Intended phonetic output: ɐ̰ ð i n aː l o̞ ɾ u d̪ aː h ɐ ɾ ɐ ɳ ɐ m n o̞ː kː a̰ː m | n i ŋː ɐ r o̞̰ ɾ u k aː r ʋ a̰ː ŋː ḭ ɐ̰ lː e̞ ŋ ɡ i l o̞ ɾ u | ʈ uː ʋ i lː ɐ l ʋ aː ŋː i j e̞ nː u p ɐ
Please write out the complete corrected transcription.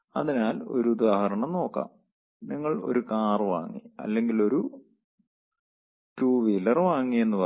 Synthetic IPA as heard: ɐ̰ ð i n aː l o̞ ɾ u d̪ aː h ɐ ɾ ɐ ɳ ɐ m n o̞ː kː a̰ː m | n i ŋː ɐ ɭ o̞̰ ɾ u k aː r ʋ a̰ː ŋː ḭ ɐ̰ lː e̞ ŋ ɡ i l o̞ ɾ u | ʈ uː ʋ i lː ɐ r ʋ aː ŋː i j e̞ nː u p ɐ